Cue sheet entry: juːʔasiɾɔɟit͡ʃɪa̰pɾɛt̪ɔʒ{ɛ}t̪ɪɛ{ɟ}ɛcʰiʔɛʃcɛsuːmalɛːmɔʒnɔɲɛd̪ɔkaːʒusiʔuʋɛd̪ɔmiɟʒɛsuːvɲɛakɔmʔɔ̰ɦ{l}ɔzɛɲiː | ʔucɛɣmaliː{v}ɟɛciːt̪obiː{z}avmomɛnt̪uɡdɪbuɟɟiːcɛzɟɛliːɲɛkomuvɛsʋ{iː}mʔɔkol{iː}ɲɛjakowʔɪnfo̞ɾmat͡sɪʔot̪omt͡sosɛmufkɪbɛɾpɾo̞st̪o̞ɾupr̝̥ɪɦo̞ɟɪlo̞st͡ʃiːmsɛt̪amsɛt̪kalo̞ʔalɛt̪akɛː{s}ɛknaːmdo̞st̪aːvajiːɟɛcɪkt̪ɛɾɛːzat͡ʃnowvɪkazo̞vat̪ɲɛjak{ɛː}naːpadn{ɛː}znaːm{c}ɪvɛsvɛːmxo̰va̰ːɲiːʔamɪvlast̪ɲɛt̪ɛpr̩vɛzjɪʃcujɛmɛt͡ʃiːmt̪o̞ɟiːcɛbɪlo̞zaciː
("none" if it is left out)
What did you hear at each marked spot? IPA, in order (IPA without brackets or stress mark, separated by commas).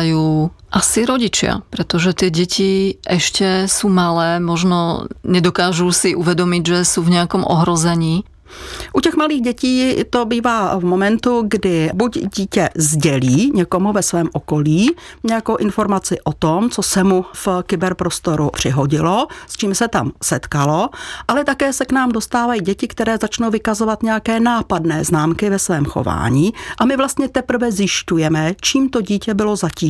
ɛ, ɟ, ɾ, ɣ, v, ɛː, iː, s, ɛː, ɛː, k